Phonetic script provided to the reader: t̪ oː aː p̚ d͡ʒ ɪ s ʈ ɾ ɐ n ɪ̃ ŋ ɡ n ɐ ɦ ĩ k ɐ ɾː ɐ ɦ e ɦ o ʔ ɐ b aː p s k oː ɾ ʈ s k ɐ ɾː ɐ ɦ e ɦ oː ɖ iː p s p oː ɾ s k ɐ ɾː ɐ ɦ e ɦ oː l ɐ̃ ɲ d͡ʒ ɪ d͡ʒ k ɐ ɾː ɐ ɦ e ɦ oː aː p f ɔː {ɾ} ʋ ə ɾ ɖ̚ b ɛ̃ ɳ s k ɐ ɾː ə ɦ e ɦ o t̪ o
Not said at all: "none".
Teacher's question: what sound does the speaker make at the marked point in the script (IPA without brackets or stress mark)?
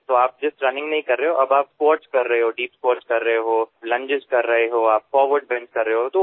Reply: ɾ